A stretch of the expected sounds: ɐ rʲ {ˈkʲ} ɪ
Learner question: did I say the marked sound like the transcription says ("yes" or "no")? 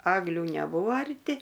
no